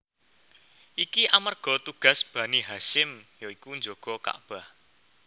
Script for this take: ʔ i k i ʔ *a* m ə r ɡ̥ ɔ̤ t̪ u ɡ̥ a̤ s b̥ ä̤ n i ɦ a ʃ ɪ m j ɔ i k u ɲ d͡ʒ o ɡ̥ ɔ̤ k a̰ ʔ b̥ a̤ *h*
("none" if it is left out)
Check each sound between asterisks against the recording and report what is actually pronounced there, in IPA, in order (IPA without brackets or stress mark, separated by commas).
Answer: a, h